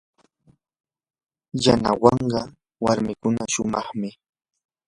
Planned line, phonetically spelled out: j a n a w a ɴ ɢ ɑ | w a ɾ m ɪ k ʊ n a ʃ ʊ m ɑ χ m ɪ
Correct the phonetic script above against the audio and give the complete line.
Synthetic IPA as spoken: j a n a w ɑ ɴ ɢ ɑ | w a ɾ m ɪ k ʊ n a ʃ ʊ m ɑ χ m ɪ